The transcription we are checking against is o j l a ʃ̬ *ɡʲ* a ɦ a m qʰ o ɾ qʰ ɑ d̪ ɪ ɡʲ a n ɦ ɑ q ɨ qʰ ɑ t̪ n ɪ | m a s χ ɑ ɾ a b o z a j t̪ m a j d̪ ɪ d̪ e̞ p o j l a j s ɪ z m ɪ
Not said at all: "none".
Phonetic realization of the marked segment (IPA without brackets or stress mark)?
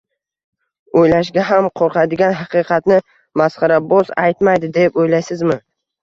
ɡʲ